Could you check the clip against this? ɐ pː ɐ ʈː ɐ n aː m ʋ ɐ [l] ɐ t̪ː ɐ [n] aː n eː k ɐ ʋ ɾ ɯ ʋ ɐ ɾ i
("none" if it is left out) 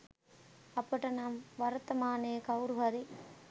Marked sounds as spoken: ɾ, m

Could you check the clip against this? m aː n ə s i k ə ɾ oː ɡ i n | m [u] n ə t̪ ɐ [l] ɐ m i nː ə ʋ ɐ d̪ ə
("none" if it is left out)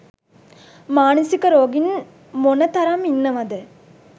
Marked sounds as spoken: o, ɾ

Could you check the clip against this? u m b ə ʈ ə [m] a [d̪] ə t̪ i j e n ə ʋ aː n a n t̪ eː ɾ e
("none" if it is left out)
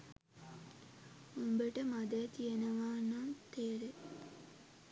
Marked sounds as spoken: m, d̪

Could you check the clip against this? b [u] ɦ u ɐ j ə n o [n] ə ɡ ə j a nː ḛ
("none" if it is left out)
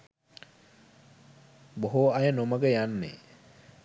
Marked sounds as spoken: o, m

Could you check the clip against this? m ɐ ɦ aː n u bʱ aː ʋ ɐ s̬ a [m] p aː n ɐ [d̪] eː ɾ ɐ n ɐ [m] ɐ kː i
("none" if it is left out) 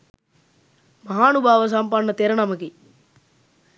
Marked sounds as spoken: m, t̪, m

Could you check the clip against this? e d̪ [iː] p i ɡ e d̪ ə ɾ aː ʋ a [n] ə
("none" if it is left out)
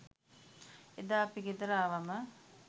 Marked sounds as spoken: aː, m

